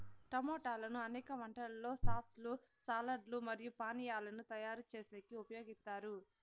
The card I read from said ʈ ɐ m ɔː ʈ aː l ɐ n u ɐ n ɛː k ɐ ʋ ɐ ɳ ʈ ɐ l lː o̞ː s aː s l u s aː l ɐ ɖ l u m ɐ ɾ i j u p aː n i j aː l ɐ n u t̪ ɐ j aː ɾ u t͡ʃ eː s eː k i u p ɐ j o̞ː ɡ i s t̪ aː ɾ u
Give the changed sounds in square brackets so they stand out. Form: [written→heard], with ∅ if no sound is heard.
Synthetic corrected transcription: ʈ ɐ m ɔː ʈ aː l ɐ n u ɐ n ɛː k ɐ ʋ ɐ ɳ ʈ ɐ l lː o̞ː s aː s l u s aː l ɐ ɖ l u m ɐ ɾ i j u p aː n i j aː l ɐ n u t̪ ɐ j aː ɾ u t͡ʃ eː s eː k i u p ɐ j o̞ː ɡ i s t̪ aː ɾ u

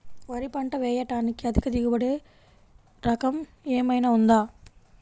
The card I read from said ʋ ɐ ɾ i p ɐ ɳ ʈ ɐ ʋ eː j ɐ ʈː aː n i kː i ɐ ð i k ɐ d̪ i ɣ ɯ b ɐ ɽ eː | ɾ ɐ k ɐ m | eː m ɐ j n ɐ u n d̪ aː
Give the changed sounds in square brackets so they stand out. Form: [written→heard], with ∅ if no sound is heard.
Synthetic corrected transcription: ʋ ɐ ɾ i p ɐ ɳ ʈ ɐ ʋ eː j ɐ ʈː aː n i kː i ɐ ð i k ɐ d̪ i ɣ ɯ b ɐ ɽ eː | ɾ ɐ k ɐ m | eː m ɐ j n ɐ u n d̪ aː

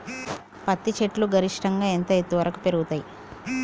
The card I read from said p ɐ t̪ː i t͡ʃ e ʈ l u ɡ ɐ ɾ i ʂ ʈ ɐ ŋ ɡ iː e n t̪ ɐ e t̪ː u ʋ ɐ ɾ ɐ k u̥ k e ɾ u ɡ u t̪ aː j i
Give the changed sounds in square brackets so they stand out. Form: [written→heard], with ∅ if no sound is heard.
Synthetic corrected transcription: p ɐ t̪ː i t͡ʃ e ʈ l u ɡ ɐ ɾ i ʂ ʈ ɐ ŋ ɡ [iː→aː] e n t̪ ɐ e t̪ː u ʋ ɐ ɾ ɐ k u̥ [k→p] e ɾ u ɡ u t̪ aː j i

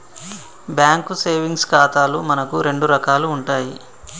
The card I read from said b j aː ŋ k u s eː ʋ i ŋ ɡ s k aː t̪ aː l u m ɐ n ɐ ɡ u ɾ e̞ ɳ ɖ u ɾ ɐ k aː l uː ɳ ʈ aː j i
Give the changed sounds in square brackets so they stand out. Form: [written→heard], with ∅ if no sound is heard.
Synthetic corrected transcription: b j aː ŋ k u s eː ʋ i ŋ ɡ s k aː t̪ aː l u m ɐ n ɐ [ɡ→k] u ɾ e̞ ɳ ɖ u ɾ ɐ k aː l uː ɳ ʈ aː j i

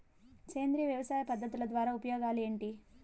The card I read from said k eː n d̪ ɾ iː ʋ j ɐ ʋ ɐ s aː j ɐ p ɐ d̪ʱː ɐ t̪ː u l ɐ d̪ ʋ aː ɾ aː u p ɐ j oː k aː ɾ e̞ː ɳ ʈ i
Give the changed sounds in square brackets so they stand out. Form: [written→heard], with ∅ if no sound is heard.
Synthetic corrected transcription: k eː n d̪ ɾ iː ʋ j ɐ ʋ ɐ s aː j ɐ p ɐ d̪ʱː ɐ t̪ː u l ɐ d̪ ʋ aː ɾ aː u p ɐ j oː [k→ɡ] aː [ɾ→l] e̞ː ɳ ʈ i

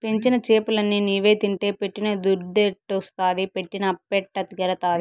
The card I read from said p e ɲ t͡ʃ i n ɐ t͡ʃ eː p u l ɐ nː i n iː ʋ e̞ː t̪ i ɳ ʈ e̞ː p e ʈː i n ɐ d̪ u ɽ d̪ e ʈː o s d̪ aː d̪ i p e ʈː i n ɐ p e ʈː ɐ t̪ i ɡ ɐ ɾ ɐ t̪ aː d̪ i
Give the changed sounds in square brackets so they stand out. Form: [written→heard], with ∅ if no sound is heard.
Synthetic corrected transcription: p e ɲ t͡ʃ i n ɐ t͡ʃ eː p u l ɐ nː i n iː ʋ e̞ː t̪ i ɳ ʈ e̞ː p e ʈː i n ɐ d̪ u [ɽ→ɾ] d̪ e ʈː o s [d̪→t̪] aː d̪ i p e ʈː i n ɐ p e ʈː ɐ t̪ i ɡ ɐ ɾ ɐ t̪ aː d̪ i

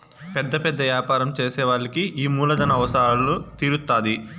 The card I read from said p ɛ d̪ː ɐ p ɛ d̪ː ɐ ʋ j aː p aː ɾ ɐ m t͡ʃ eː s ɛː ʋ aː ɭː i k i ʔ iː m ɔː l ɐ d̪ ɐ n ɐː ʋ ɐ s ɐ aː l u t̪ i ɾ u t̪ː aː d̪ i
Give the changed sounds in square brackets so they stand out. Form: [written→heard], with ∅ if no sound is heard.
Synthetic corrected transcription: p ɛ d̪ː ɐ p ɛ d̪ː ɐ ʋ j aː p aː ɾ ɐ m t͡ʃ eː s ɛː ʋ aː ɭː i k i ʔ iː m [ɔː→uː] l ɐ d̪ ɐ n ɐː ʋ ɐ s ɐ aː l u t̪ i ɾ u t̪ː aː d̪ i

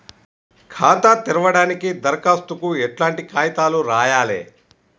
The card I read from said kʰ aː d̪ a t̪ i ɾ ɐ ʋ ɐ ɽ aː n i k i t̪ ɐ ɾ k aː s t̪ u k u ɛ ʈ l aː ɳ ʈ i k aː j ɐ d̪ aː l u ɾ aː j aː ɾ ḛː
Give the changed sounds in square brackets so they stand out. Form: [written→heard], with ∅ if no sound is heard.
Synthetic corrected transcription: kʰ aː [d̪→t̪] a t̪ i ɾ ɐ ʋ ɐ ɽ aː n i k i [t̪→d̪] ɐ ɾ k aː s t̪ u k u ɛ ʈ l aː ɳ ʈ i k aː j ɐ [d̪→t̪] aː l u ɾ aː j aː [ɾ→l] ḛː

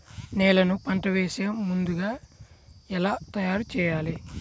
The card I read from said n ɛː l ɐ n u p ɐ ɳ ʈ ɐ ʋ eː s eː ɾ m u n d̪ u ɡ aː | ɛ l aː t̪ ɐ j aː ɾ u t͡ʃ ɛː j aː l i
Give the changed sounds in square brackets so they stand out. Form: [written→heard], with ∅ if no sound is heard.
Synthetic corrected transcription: n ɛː l ɐ n u p ɐ ɳ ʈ ɐ ʋ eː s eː [ɾ→∅] m u n d̪ u ɡ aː | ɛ l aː t̪ ɐ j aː ɾ u t͡ʃ ɛː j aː l i

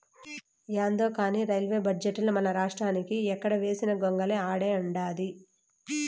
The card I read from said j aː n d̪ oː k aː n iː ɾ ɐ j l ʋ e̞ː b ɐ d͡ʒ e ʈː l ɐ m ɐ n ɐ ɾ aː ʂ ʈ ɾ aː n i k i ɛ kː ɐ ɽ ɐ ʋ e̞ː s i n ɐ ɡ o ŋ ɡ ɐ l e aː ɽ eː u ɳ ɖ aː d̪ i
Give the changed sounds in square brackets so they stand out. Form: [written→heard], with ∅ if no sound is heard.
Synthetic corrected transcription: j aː n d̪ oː k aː n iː ɾ ɐ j l ʋ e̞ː b ɐ d͡ʒ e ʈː l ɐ m ɐ n ɐ ɾ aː ʂ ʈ ɾ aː n i k i ɛ kː ɐ ɽ ɐ ʋ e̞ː s i n ɐ ɡ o ŋ ɡ ɐ l e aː ɽ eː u ɳ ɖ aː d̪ i

